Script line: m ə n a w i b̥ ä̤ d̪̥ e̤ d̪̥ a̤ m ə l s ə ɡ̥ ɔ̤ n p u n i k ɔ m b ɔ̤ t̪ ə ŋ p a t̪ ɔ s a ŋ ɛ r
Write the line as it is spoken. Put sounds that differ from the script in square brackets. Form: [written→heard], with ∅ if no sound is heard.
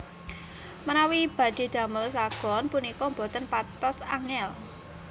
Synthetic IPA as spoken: m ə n a w i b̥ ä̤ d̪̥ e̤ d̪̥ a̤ m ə l s [ə→a] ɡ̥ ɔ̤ n p u n i k ɔ m b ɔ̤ t̪ ə [ŋ→n] p a t̪ ɔ s a ŋ ɛ [r→l]